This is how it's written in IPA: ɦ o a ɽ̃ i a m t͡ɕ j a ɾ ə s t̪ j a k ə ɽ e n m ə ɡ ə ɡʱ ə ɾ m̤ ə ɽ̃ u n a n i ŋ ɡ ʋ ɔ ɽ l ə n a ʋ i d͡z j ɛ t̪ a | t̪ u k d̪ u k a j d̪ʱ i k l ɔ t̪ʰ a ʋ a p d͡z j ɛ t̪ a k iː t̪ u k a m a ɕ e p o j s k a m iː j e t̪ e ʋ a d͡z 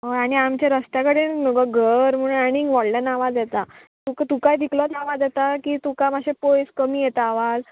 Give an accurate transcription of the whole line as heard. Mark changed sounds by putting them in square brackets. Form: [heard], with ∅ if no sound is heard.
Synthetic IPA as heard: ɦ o a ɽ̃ i a m t͡ɕ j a ɾ ə s t̪ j a k ə ɽ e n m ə ɡ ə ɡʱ ə ɾ m̤ ə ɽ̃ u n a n i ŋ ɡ ʋ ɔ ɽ l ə n a ʋ [a] d͡z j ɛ t̪ a | t̪ u k [t̪] u k a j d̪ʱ i k l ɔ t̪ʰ a ʋ a [∅] d͡z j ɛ t̪ a k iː t̪ u k a m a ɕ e p o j s k [ə] m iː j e t̪ [a] ʋ a d͡z